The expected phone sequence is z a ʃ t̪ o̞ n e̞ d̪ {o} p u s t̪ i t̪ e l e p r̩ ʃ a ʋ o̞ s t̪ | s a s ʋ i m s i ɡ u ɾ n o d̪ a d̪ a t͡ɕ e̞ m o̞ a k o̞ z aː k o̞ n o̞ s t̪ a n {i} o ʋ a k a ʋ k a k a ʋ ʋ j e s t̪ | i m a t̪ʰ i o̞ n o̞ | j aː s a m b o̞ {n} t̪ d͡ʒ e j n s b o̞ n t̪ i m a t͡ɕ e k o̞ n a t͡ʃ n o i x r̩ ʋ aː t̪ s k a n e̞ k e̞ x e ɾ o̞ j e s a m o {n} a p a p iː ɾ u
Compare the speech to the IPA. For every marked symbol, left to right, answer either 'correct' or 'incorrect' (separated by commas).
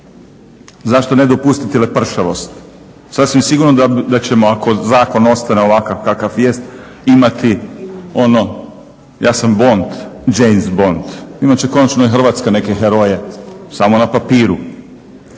correct, incorrect, correct, correct